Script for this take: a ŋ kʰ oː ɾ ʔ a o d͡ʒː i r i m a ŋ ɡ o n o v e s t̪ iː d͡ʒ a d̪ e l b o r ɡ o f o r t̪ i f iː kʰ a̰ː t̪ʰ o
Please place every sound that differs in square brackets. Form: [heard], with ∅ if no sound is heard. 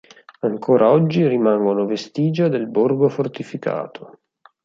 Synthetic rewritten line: a ŋ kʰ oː ɾ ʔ a [ɔ] d͡ʒː i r i m a ŋ ɡ o n o v e s t̪ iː d͡ʒ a d̪ e l b o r ɡ o f o r t̪ i f [i] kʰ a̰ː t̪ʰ o